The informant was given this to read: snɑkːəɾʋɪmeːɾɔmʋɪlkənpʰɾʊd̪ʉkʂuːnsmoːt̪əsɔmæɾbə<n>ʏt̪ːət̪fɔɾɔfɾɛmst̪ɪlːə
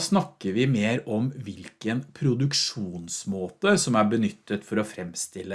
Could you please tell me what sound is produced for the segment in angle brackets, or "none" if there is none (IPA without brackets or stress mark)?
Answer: n